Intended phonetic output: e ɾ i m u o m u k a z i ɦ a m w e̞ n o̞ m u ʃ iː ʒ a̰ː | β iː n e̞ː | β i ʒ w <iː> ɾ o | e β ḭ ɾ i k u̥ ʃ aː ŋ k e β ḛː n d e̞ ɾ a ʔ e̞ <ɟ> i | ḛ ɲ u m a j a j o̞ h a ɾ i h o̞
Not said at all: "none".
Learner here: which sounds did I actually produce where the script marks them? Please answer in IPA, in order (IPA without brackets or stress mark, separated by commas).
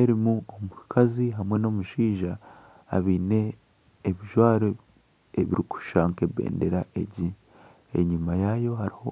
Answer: aː, ɟ